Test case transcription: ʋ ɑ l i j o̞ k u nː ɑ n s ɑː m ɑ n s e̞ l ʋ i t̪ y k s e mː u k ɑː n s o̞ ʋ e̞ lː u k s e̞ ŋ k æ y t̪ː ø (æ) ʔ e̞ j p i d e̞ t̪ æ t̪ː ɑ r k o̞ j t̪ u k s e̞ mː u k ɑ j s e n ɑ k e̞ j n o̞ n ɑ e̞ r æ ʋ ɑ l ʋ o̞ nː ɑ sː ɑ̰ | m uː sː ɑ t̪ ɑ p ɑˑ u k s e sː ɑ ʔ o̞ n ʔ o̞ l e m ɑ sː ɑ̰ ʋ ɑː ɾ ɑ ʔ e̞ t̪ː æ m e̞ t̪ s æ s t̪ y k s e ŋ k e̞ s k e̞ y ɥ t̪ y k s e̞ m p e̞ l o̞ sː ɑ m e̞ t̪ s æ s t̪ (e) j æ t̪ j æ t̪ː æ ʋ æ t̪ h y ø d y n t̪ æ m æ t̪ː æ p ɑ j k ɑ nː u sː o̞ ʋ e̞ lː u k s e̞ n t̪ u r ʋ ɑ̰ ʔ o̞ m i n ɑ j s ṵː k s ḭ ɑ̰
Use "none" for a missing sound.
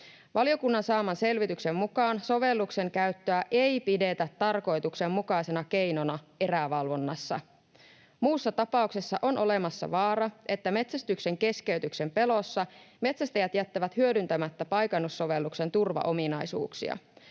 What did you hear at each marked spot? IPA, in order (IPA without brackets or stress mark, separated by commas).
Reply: æ, æ